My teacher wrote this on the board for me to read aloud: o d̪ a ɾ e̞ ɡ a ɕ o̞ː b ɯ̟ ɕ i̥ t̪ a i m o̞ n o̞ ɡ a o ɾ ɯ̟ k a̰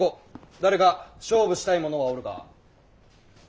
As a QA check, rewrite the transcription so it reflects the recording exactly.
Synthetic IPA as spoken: o d̪ a ɾ e̞ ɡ a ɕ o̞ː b ɯ̟ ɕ i̥ t̪ a i m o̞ n o̞ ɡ a o ɾ ɯ̟ k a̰